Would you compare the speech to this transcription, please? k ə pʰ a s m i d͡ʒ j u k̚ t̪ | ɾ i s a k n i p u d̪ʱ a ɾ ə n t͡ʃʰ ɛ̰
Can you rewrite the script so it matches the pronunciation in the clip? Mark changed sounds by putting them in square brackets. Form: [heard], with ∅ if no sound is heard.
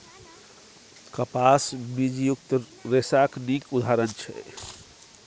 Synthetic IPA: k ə [p] a s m i d͡ʒ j u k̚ t̪ | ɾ [e] s a k n i [k] u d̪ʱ a ɾ ə n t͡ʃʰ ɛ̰